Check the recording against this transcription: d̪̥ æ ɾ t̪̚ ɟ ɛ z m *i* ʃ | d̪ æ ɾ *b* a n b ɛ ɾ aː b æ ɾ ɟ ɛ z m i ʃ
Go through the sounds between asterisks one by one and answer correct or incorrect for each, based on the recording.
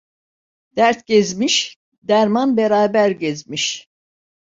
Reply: correct, incorrect

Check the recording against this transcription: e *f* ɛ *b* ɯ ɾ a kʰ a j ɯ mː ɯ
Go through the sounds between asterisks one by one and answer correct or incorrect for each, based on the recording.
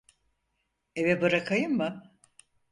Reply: incorrect, correct

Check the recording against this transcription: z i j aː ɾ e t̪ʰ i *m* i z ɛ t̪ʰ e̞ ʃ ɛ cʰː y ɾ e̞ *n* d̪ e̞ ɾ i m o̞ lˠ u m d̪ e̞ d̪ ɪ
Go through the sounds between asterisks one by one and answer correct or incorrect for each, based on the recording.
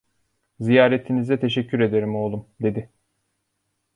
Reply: incorrect, incorrect

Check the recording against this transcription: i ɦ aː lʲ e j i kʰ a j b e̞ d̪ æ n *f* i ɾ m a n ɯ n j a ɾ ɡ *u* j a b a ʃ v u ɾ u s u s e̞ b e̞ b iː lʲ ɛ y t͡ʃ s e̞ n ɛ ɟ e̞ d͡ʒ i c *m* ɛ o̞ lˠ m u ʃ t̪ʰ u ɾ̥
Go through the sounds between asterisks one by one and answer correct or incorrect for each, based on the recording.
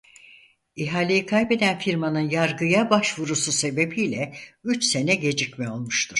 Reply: correct, incorrect, correct

